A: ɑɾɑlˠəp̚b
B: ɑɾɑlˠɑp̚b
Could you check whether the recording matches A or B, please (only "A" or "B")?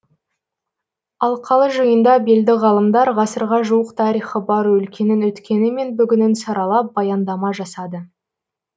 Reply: B